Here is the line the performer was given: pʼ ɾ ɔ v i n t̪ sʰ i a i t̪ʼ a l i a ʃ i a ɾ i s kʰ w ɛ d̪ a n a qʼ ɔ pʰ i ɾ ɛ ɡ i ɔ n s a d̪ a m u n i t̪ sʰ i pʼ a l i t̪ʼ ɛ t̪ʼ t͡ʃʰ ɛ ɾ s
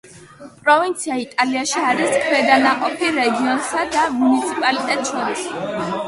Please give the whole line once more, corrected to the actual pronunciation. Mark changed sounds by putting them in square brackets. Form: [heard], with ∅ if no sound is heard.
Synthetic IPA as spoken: pʼ ɾ ɔ v i n t̪ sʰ i a i t̪ʼ a l i a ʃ i a ɾ i s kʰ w ɛ d̪ a n a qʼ ɔ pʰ i ɾ ɛ ɡ i ɔ n s a d̪ a m u n i t̪ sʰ i pʼ a l i t̪ʼ ɛ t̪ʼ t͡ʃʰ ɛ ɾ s